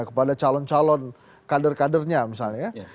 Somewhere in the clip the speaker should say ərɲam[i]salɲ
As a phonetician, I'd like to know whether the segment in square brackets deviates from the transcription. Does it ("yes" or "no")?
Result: no